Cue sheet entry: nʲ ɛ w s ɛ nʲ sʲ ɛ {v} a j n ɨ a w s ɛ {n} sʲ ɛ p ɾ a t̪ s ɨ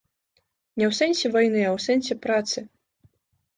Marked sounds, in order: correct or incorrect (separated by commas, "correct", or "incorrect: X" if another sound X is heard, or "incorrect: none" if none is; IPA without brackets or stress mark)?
correct, correct